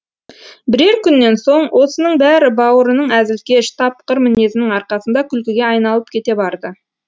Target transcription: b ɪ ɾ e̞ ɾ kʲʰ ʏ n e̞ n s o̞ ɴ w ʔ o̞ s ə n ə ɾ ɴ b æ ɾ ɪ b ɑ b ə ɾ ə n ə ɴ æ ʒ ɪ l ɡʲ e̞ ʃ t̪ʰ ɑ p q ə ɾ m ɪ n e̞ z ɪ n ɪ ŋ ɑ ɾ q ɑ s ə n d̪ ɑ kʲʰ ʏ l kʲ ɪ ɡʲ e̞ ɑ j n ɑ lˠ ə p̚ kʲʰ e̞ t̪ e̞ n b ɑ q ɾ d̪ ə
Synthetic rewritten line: b ɪ ɾ e̞ ɾ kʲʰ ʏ nː e̞ n s o̞ ɴ w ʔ o̞ s ə n ə ɴ b æ ɾ ɪ b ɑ w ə ɾ ə n ə ɴ æ z ɪ l kʲ e̞ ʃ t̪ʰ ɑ p q ə ɾ m ɪ n e̞ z ɪ n ɪ ŋ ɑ ɾ q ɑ s ə n d̪ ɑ kʲʰ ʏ l kʲ ɪ ɡʲ e̞ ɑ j n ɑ lˠ ə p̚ kʲʰ e̞ t̪ e̞ b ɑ ɾ d̪ ə